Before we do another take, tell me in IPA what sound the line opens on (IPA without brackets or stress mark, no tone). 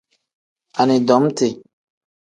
a